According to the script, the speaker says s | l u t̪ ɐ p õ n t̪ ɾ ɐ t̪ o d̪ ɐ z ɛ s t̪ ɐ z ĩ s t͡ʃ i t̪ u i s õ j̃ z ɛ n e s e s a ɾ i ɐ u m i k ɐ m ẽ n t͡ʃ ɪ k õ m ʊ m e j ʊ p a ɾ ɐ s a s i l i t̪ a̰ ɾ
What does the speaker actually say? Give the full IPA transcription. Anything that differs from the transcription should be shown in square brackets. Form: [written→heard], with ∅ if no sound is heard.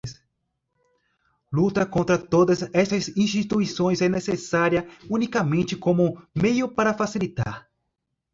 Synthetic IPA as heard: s | l u t̪ ɐ [p→k] õ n t̪ ɾ ɐ t̪ o d̪ ɐ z ɛ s t̪ ɐ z ĩ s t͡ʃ i t̪ u i s õ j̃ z ɛ n e s e s a ɾ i ɐ u [m→n] i k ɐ m ẽ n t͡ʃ ɪ k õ m ʊ m e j ʊ p a ɾ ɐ [s→f] a s i l i t̪ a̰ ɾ

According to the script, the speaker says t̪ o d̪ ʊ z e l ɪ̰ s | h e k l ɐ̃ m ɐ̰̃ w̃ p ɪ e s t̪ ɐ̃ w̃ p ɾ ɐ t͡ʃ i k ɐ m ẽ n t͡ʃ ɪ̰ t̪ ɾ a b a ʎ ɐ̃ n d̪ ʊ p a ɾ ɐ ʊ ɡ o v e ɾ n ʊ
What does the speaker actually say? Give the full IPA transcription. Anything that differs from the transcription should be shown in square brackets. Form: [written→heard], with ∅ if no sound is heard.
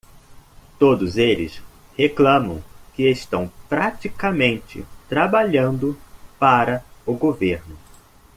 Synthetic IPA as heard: t̪ o d̪ ʊ z e l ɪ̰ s | h e k l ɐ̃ m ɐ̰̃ w̃ [p→k] ɪ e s t̪ ɐ̃ w̃ p ɾ [ɐ→a] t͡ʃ i k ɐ m ẽ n t͡ʃ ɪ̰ t̪ ɾ a b a ʎ ɐ̃ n d̪ ʊ p a ɾ ɐ ʊ ɡ o v e ɾ n ʊ

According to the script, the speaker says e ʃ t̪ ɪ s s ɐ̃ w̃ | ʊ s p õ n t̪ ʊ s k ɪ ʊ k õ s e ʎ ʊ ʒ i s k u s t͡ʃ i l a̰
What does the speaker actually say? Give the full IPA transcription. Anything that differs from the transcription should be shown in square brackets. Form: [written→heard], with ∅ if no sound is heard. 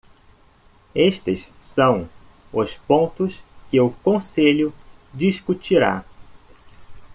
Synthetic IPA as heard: e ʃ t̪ ɪ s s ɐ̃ w̃ | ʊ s p õ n t̪ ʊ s k ɪ ʊ k õ s e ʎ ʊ [ʒ→d͡ʒ] i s k u [s→∅] t͡ʃ i [l→ɾ] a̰

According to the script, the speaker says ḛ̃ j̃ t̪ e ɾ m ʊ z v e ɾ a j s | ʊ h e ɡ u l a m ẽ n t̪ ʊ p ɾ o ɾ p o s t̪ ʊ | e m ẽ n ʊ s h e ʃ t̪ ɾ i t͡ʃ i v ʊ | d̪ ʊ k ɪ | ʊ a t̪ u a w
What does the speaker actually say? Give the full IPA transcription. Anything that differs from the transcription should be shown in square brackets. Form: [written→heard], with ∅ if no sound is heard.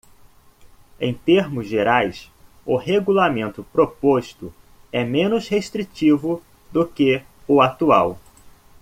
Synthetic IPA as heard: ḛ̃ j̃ t̪ e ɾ m ʊ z [v→ʒ] e ɾ a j s | ʊ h e ɡ u l a m ẽ n t̪ ʊ p ɾ o [ɾ→∅] p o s t̪ ʊ | [e→ɛ] m ẽ n ʊ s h e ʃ t̪ ɾ i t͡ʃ i v ʊ | d̪ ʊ k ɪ | ʊ a t̪ u a w

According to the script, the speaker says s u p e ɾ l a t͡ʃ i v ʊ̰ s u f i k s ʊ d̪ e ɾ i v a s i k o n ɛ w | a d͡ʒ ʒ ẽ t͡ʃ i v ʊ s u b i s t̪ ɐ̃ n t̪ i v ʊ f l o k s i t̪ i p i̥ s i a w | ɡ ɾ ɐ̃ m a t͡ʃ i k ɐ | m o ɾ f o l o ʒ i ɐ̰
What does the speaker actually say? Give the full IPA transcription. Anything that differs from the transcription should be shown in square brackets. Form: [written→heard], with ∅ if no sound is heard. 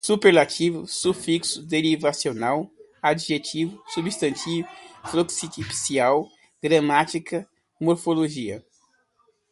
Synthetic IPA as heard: s u p e ɾ l a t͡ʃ i v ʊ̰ s u f i k s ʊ d̪ e ɾ i v a s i [k→∅] o n [ɛ→a] w | a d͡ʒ ʒ [ẽ→e] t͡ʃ i v ʊ s u b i s t̪ ɐ̃ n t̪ i v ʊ f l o k s i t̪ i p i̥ s i a w | ɡ ɾ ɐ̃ m a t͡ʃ i k ɐ | m o ɾ f o l o ʒ i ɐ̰

